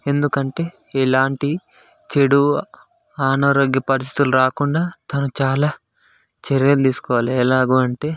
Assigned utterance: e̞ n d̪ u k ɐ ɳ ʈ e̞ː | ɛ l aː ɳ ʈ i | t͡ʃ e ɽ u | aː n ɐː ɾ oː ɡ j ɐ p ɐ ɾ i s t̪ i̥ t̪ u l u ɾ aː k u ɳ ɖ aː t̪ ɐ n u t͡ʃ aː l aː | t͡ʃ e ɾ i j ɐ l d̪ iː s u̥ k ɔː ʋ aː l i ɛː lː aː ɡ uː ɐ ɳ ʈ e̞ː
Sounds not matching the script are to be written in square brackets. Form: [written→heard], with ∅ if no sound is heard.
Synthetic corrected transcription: e̞ n d̪ u k ɐ ɳ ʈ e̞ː | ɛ l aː ɳ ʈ i | t͡ʃ e ɽ u | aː n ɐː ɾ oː ɡ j ɐ p ɐ ɾ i s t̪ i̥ t̪ u l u ɾ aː k u ɳ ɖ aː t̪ ɐ n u t͡ʃ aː l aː | t͡ʃ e ɾ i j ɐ l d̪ iː s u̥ k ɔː ʋ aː l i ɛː [lː→l] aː ɡ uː ɐ ɳ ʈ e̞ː